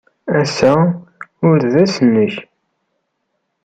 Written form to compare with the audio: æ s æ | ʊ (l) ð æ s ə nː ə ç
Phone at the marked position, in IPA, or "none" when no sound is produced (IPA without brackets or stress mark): ɾ